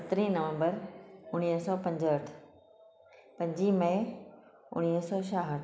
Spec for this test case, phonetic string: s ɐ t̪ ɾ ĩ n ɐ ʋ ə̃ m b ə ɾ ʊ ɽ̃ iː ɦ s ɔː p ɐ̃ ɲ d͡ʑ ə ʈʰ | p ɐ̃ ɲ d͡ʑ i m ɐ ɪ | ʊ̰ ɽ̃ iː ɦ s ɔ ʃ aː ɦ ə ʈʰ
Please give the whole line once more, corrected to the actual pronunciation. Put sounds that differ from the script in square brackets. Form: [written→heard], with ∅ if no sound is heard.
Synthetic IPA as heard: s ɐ t̪ ɾ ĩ n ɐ ʋ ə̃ m b ə ɾ ʊ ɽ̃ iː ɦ s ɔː p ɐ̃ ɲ d͡ʑ ə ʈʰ | p ɐ̃ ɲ d͡ʑ i m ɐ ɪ | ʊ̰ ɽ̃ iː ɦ s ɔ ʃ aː ɦ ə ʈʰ